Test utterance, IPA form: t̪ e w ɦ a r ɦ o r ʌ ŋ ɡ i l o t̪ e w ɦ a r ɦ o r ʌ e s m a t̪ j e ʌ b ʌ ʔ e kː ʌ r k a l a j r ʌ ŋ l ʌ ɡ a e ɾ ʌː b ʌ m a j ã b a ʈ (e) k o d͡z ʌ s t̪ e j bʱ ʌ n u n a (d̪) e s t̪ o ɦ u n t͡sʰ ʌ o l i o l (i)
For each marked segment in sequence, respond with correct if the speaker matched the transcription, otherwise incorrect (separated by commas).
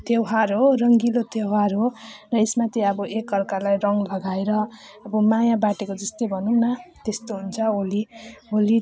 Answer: correct, incorrect, correct